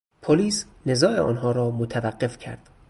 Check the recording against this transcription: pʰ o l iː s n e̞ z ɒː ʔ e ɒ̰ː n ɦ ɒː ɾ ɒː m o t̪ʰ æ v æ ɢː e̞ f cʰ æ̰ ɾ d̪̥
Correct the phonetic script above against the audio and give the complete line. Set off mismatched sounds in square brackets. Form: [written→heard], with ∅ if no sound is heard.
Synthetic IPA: pʰ o l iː s n e̞ z ɒː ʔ e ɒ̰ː n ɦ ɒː ɾ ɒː m o t̪ʰ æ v æ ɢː e̞ f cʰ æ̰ ɾ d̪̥